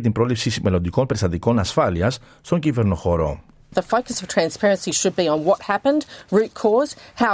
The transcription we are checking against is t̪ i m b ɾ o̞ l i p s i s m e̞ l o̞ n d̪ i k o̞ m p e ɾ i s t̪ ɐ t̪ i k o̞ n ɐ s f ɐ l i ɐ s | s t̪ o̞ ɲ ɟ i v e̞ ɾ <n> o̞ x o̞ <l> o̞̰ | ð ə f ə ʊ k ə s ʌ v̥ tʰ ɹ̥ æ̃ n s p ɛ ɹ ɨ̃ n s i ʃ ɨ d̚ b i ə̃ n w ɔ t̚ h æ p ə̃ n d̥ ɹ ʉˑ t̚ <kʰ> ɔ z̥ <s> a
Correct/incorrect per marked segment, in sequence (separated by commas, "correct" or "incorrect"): correct, incorrect, correct, incorrect